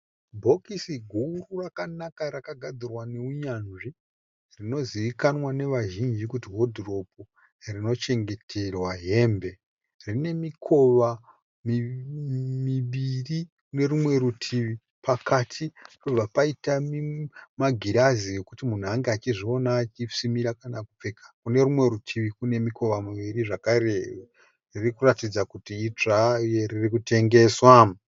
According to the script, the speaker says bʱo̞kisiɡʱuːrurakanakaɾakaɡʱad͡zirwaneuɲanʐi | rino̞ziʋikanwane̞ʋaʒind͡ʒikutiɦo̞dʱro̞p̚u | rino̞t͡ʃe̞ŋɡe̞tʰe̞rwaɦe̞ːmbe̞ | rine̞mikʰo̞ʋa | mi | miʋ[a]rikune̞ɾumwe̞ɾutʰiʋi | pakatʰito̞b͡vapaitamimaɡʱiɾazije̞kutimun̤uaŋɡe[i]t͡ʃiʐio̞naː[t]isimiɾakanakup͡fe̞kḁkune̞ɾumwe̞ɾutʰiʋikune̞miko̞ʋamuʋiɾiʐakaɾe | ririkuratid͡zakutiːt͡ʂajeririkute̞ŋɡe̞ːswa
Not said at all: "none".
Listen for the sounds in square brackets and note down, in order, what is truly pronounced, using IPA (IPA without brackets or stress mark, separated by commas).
i, a, t͡ʃ